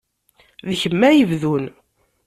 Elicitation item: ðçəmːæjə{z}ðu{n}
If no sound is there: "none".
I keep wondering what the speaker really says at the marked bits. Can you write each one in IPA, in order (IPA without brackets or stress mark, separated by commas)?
v, n